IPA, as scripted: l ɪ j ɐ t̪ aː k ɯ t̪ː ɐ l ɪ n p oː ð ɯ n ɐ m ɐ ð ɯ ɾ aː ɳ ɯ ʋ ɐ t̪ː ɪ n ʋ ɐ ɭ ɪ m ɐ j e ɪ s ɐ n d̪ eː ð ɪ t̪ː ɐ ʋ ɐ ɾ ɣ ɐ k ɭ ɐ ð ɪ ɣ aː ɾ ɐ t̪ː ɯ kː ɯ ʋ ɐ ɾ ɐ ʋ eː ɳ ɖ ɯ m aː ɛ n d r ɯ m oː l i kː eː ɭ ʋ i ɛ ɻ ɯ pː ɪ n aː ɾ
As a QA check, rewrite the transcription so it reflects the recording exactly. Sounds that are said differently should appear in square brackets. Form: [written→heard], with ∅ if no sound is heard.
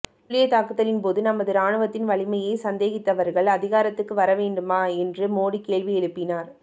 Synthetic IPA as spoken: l ɪ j ɐ t̪ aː k ɯ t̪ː ɐ l ɪ n p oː ð ɯ n ɐ m ɐ ð ɯ ɾ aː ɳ ɯ ʋ ɐ t̪ː ɪ n ʋ ɐ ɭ ɪ m ɐ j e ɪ s ɐ n d̪ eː [ð→ɣ] ɪ t̪ː ɐ ʋ ɐ ɾ ɣ ɐ [k→∅] ɭ ɐ ð ɪ ɣ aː ɾ ɐ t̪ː ɯ kː ɯ ʋ ɐ ɾ ɐ ʋ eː ɳ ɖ ɯ m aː ɛ n d r ɯ m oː [l→ɽ] i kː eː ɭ ʋ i ɛ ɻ ɯ pː ɪ n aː ɾ

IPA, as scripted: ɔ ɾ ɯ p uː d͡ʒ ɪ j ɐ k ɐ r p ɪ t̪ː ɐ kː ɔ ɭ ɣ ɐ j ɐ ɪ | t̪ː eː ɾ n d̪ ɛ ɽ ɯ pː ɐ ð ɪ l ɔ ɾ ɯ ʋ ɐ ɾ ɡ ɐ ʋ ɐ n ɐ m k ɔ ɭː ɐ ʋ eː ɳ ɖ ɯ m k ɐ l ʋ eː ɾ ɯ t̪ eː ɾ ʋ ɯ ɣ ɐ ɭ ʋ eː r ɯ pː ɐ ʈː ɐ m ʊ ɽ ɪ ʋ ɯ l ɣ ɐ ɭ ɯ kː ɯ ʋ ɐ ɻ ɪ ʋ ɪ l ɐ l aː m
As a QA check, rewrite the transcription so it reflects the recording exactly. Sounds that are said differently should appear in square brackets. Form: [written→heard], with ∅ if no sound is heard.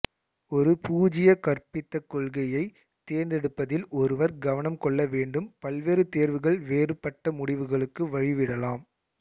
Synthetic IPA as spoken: ɔ ɾ ɯ p uː d͡ʒ ɪ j ɐ k ɐ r p ɪ t̪ː ɐ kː ɔ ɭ ɣ ɐ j ɐ ɪ | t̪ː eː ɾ n d̪ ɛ ɽ ɯ pː ɐ ð ɪ l ɔ ɾ ɯ ʋ ɐ ɾ ɡ ɐ ʋ ɐ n ɐ m k ɔ ɭː ɐ ʋ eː ɳ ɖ ɯ m [k→p] ɐ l ʋ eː ɾ ɯ t̪ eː ɾ ʋ ɯ ɣ ɐ ɭ ʋ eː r ɯ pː ɐ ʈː ɐ m ʊ ɽ ɪ ʋ ɯ [l→∅] ɣ ɐ ɭ ɯ kː ɯ ʋ ɐ ɻ ɪ ʋ ɪ [l→ɽ] ɐ l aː m

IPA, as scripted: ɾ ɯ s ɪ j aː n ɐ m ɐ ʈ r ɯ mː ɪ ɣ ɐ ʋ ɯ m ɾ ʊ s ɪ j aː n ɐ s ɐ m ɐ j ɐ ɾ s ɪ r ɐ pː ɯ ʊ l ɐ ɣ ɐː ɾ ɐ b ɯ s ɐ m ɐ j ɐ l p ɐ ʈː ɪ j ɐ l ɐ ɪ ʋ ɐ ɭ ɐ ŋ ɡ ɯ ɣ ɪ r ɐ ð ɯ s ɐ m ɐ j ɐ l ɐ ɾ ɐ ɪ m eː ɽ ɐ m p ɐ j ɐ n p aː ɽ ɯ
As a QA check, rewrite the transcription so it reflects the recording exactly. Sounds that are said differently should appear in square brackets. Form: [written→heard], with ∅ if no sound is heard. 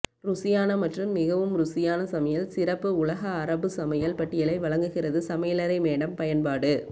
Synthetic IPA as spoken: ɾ [ɯ→ʊ] s ɪ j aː n ɐ m ɐ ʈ r ɯ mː ɪ ɣ ɐ ʋ ɯ m ɾ ʊ s ɪ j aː n ɐ s ɐ m ɐ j ɐ [ɾ→l] s ɪ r ɐ pː ɯ ʊ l ɐ ɣ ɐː ɾ ɐ b ɯ s ɐ m ɐ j ɐ l p ɐ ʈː ɪ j ɐ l ɐ ɪ ʋ ɐ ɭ ɐ ŋ ɡ ɯ ɣ ɪ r ɐ ð ɯ s ɐ m ɐ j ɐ l ɐ ɾ ɐ ɪ m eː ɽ ɐ m p ɐ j ɐ n p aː ɽ ɯ

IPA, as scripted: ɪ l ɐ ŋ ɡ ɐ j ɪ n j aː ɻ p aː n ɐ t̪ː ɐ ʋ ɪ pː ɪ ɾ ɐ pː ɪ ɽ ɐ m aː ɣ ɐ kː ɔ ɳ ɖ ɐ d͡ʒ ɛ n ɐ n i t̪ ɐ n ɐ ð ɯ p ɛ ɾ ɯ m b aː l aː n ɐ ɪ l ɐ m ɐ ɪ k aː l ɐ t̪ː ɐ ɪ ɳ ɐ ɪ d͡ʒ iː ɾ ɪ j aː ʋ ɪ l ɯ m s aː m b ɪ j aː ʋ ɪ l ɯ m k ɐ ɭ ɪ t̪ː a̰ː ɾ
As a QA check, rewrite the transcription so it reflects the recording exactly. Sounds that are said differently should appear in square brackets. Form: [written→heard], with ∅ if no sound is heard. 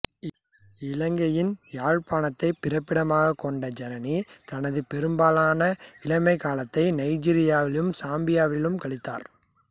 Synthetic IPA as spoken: ɪ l ɐ ŋ ɡ ɐ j ɪ n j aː ɻ p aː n ɐ t̪ː ɐ [ʋ→∅] ɪ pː ɪ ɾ ɐ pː ɪ ɽ ɐ m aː ɣ ɐ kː ɔ ɳ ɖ ɐ d͡ʒ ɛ n ɐ n i t̪ ɐ n ɐ ð ɯ p ɛ ɾ ɯ m b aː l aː n ɐ ɪ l ɐ m ɐ ɪ k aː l ɐ t̪ː ɐ ɪ [ɳ→n] ɐ ɪ d͡ʒ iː ɾ ɪ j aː ʋ ɪ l ɯ m s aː m b ɪ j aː ʋ ɪ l ɯ m k ɐ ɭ ɪ t̪ː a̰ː ɾ

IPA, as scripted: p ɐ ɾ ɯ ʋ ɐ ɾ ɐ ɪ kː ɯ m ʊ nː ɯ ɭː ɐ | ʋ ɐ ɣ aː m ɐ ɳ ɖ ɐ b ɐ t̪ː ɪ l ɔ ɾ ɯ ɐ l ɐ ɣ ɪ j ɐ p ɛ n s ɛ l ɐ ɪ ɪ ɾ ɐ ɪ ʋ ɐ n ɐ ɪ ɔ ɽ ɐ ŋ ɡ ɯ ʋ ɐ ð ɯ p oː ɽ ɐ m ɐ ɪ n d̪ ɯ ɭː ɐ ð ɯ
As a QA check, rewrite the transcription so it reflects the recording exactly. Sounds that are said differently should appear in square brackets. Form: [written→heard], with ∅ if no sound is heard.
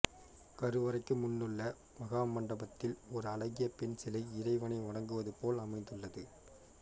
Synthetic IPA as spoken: [p→k] ɐ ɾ ɯ ʋ ɐ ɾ ɐ ɪ kː ɯ m ʊ nː ɯ ɭː ɐ | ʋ ɐ ɣ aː m ɐ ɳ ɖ ɐ b ɐ t̪ː ɪ l ɔ ɾ ɯ ɐ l ɐ ɣ ɪ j ɐ p ɛ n s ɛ l ɐ ɪ ɪ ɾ ɐ ɪ ʋ ɐ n ɐ ɪ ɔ ɽ ɐ ŋ ɡ ɯ ʋ ɐ ð ɯ p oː [ɽ→l] ɐ m ɐ ɪ n d̪ ɯ ɭː ɐ ð ɯ

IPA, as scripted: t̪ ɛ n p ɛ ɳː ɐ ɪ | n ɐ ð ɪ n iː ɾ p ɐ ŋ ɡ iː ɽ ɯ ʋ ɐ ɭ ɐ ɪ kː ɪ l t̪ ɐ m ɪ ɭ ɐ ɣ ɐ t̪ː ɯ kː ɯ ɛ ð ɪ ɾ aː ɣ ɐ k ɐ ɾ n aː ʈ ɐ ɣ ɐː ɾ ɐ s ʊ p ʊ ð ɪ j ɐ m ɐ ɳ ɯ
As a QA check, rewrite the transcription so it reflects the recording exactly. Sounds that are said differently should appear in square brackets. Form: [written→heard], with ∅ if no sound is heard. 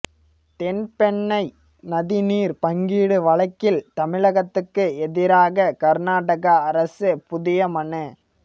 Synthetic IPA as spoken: t̪ ɛ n p ɛ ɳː ɐ ɪ | n ɐ ð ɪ n iː ɾ p ɐ ŋ ɡ iː ɽ ɯ ʋ ɐ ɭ ɐ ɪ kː ɪ l t̪ ɐ m ɪ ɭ ɐ ɣ ɐ t̪ː ɯ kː ɯ ɛ ð ɪ ɾ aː ɣ ɐ k ɐ ɾ n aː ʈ ɐ ɣ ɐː ɾ ɐ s [ʊ→ɯ] p ʊ ð ɪ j ɐ m ɐ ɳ ɯ

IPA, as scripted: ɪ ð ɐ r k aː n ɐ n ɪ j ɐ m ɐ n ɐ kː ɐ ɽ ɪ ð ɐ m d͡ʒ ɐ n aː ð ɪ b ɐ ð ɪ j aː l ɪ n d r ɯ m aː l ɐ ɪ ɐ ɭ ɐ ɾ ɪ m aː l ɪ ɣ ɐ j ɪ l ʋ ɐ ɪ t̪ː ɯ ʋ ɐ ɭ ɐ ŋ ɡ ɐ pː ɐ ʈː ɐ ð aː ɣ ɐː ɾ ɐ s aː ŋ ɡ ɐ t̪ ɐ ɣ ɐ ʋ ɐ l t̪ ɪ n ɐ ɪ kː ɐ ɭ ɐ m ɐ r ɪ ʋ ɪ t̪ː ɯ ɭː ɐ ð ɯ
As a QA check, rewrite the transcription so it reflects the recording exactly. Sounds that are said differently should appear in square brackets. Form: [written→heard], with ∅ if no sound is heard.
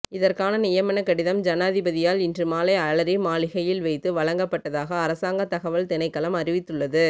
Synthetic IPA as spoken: ɪ ð ɐ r k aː n ɐ n ɪ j ɐ m ɐ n ɐ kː ɐ ɽ ɪ ð ɐ m d͡ʒ ɐ n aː ð ɪ b ɐ ð ɪ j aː l ɪ n d r ɯ m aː l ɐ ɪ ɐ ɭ ɐ ɾ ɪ m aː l ɪ ɣ ɐ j ɪ l ʋ ɐ ɪ t̪ː ɯ ʋ ɐ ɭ ɐ ŋ ɡ ɐ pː ɐ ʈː ɐ ð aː ɣ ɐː ɾ ɐ s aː ŋ ɡ ɐ t̪ ɐ ɣ ɐ ʋ ɐ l t̪ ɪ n ɐ ɪ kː ɐ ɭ ɐ m ɐ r ɪ ʋ ɪ t̪ː ɯ ɭː ɐ ð ɯ

